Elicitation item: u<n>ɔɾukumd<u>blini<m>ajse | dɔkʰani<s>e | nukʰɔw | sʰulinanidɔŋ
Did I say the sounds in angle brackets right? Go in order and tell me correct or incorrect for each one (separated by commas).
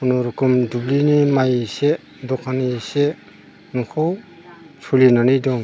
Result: correct, correct, correct, correct